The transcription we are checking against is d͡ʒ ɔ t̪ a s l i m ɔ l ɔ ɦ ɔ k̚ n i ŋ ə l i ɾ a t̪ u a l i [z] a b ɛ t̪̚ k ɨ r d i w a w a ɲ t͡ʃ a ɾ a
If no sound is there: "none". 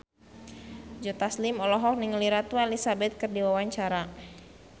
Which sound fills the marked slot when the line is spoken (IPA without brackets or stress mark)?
s